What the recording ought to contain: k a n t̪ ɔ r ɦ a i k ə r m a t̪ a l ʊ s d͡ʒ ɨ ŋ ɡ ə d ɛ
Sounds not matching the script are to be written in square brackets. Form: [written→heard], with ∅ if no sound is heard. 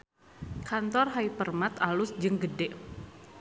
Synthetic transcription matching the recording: k a n t̪ ɔ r ɦ a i [k→p] ə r m a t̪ a l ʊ s d͡ʒ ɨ ŋ ɡ ə d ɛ

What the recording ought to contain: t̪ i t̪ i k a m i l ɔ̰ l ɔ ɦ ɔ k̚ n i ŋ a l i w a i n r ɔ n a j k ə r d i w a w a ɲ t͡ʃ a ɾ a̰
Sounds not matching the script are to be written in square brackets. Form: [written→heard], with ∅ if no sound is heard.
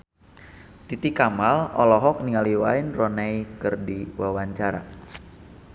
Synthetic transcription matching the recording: t̪ i t̪ i k a m [i→a] l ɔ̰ l ɔ ɦ ɔ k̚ n i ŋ a l i w a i n r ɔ n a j k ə r d i w a w a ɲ t͡ʃ a ɾ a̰

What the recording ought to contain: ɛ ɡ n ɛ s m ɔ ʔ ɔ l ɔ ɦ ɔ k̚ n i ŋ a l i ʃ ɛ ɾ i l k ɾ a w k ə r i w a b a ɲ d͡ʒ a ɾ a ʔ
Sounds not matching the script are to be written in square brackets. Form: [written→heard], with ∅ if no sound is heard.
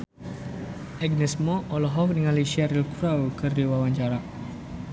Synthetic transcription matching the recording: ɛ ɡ n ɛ s m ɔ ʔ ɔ l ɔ ɦ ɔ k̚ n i ŋ a l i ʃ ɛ ɾ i l k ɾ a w k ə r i w a [b→w] a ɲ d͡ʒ a ɾ a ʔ

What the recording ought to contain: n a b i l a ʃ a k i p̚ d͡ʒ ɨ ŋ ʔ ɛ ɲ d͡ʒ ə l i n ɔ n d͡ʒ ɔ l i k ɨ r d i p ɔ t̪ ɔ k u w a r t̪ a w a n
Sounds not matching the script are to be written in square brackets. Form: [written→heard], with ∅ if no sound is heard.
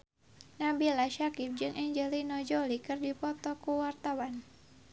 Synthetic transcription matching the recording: n a b i l a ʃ a k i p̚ d͡ʒ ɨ ŋ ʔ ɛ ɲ d͡ʒ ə l i n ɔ [n→∅] d͡ʒ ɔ l i k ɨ r d i p ɔ t̪ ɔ k u w a r t̪ a w a n

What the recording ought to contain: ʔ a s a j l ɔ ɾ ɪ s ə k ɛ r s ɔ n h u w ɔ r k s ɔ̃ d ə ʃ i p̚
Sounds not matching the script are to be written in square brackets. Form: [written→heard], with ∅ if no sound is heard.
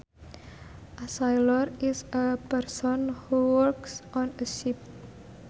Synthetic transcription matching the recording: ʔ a s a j l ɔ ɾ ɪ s ə [k→p] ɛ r s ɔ n h u w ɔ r k s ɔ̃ [d→n] ə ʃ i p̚

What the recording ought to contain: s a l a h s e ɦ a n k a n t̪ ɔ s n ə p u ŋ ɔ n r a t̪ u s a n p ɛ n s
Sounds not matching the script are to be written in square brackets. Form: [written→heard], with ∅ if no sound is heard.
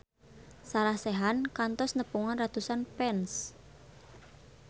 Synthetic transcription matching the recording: s a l a h s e ɦ a n k a n t̪ ɔ s n ə p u ŋ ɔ n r a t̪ u s a n p ɛ n s

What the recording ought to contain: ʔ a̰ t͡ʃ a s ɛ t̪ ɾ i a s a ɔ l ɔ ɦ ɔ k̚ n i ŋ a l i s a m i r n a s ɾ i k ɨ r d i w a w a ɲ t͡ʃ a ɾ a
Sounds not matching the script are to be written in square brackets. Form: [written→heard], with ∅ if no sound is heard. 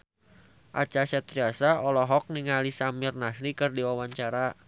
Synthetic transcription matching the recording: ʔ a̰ t͡ʃ a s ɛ t̪ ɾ i a s a ɔ l ɔ ɦ ɔ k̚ n i ŋ a l i s a m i r n a s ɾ i k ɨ r d i w a w a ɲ t͡ʃ a ɾ a

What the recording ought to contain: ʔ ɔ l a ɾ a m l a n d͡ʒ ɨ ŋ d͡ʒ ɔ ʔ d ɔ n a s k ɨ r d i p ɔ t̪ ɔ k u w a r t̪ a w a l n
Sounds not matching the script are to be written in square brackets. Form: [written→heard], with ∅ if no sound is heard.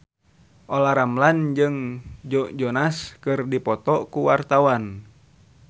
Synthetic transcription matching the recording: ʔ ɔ l a ɾ a m l a n d͡ʒ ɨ ŋ d͡ʒ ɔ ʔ [d→d͡ʒ] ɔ n a s k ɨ r d i p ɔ t̪ ɔ k u w a r t̪ a w a [l→∅] n

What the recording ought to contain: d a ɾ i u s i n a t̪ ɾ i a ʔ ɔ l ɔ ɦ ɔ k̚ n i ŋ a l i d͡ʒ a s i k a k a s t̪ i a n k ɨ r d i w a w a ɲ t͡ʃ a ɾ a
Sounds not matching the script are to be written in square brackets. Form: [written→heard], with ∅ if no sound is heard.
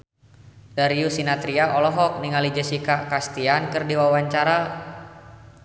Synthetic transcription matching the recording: d a ɾ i u s i n a t̪ ɾ i a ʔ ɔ l ɔ ɦ ɔ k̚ n i ŋ a l i d͡ʒ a s i k a k a s t̪ i a n k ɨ r d i w a w a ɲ t͡ʃ a ɾ a

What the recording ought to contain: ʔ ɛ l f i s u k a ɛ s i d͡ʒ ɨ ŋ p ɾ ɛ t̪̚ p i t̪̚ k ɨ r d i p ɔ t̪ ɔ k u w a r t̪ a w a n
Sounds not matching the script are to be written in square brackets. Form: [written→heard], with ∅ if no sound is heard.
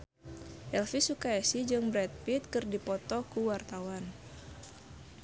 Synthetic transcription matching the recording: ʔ ɛ l f i s u k a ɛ s i d͡ʒ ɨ ŋ [p→b] ɾ ɛ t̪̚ p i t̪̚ k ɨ r d i p ɔ t̪ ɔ k u w a r t̪ a w a n

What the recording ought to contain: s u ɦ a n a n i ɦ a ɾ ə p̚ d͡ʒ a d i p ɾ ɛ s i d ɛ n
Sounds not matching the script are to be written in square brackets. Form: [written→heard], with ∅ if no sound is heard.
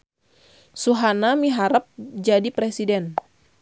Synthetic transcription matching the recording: s u ɦ a n a [n→m] i ɦ a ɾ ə p̚ d͡ʒ a d i p ɾ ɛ s i d ɛ n

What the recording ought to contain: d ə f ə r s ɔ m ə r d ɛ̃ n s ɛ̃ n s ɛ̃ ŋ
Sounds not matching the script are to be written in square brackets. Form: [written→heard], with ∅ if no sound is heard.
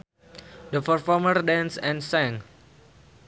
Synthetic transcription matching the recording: d ə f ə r [s→f] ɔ m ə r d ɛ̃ n s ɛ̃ n s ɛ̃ ŋ

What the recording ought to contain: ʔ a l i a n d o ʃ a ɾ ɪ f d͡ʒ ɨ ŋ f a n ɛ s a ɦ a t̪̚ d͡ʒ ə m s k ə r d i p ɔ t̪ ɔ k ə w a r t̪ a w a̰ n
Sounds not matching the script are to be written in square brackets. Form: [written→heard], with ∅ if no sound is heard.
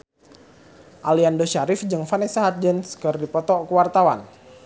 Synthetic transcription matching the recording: ʔ a l i a n d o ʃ a ɾ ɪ f d͡ʒ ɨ ŋ f a n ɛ s a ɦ a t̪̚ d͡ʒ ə [m→n] s k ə r d i p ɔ t̪ ɔ k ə w a r t̪ a w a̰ n

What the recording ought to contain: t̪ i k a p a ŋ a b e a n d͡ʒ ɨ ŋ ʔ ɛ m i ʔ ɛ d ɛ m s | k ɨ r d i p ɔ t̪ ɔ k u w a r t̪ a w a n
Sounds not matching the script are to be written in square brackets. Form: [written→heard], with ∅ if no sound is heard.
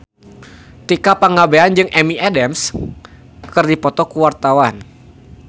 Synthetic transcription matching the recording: t̪ i k a p a ŋ a b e a n d͡ʒ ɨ ŋ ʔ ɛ m i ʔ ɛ d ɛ m s | k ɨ r d i p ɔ t̪ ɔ k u w a r t̪ a w a n

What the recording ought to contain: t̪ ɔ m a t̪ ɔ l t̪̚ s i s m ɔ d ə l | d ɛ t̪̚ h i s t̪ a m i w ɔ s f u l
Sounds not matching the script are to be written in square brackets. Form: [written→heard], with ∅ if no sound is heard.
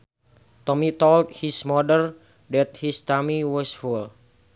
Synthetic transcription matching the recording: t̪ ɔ m [a→i] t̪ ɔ l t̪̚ [s→h] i s m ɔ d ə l | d ɛ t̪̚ h i s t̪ a m i w ɔ s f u l

